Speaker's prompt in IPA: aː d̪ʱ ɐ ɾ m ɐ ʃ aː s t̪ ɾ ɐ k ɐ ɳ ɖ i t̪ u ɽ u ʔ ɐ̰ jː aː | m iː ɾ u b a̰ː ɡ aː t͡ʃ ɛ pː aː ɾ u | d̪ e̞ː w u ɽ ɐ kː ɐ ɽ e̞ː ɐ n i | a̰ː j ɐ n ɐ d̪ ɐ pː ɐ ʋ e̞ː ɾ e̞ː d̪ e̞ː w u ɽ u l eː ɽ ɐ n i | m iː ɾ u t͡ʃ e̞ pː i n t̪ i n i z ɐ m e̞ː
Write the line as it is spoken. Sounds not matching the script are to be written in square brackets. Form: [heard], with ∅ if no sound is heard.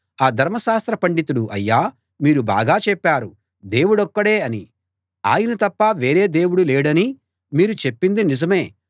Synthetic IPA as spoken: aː d̪ʱ ɐ ɾ m ɐ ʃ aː s t̪ ɾ ɐ [p] ɐ ɳ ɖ i t̪ u ɽ u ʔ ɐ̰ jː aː | m iː ɾ u b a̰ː ɡ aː t͡ʃ ɛ pː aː ɾ u | d̪ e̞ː w u ɽ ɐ kː ɐ ɽ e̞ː ɐ n i | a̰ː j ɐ n ɐ [t̪] ɐ pː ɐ ʋ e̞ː ɾ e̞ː d̪ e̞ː w u ɽ u l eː ɽ ɐ n i | m iː ɾ u t͡ʃ e̞ pː i n [d̪] i n i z ɐ m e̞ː